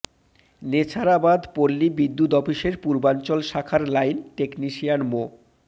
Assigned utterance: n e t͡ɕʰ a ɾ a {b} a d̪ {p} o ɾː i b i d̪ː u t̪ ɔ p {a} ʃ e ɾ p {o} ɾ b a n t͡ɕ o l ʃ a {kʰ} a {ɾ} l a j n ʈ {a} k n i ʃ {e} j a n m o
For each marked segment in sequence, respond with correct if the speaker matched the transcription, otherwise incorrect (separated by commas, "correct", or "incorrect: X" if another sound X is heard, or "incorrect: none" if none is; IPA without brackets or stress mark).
correct, correct, incorrect: i, incorrect: u, correct, correct, incorrect: e, incorrect: i